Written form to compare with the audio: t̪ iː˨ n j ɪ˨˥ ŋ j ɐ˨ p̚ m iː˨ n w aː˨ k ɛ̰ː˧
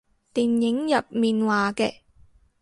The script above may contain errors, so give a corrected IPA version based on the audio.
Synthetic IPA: t̪ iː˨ n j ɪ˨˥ ŋ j ɐ˨ p̚ m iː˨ n w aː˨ k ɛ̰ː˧